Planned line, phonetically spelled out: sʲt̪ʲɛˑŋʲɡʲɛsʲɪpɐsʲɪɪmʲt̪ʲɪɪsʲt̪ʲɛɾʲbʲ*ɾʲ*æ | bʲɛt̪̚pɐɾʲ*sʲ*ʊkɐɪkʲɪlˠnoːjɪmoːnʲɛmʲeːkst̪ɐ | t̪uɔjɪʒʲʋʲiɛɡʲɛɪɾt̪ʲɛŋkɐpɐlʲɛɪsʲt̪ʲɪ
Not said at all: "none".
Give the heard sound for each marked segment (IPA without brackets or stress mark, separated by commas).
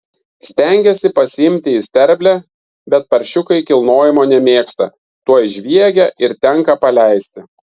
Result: lʲ, ʃʲ